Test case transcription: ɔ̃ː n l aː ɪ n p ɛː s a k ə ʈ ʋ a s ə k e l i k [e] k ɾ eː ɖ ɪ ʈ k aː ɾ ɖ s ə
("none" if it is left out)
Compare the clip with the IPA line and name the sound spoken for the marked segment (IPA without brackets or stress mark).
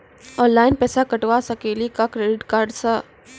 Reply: a